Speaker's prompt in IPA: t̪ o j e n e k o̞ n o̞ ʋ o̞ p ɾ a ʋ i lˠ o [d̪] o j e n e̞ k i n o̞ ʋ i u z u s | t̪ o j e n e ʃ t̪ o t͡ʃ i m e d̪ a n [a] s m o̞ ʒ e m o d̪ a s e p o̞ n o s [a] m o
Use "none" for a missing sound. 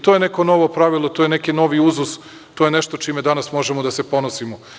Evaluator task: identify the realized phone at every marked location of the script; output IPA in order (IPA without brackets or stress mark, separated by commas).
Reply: t̪, a, i